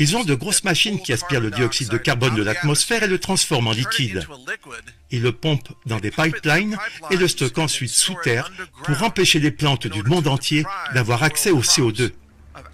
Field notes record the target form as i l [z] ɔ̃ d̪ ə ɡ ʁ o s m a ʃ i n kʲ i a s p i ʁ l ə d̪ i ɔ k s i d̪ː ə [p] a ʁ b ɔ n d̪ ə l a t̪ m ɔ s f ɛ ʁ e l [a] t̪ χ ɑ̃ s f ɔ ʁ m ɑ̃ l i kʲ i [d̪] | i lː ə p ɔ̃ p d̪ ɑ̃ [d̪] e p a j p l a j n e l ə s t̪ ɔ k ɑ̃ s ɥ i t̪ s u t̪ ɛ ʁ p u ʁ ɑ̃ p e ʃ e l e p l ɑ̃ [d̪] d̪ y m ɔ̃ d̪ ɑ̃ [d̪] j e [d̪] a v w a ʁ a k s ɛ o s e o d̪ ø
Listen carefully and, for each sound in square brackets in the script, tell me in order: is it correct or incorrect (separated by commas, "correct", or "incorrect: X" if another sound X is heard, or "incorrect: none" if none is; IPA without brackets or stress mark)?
correct, incorrect: k, incorrect: ə, correct, correct, incorrect: t̪, incorrect: t̪, correct